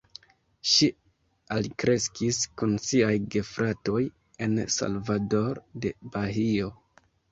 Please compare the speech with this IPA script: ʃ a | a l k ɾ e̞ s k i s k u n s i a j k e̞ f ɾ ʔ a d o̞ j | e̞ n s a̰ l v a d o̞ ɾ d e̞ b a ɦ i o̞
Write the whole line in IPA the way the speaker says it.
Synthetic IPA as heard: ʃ i | a l k ɾ e̞ s k i s k u n s i a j ɡ e̞ f ɾ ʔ a t o̞ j | e̞ n s a̰ l v a d o̞ ɾ d e̞ b a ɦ i o̞